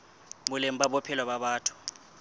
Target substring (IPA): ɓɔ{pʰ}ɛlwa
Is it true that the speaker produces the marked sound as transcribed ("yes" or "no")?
yes